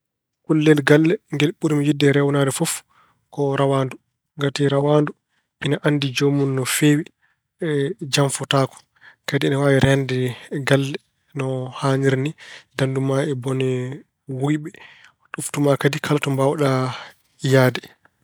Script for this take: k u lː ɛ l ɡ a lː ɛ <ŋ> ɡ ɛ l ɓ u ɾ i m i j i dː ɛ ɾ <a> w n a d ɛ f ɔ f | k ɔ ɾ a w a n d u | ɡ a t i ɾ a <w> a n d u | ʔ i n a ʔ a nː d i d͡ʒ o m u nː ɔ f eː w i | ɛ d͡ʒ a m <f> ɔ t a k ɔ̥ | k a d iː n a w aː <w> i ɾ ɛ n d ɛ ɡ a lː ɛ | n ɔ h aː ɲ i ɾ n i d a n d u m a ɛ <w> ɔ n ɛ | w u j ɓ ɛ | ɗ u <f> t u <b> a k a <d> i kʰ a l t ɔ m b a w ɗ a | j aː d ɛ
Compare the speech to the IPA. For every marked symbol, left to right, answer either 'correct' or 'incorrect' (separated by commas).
correct, incorrect, correct, correct, correct, incorrect, correct, incorrect, correct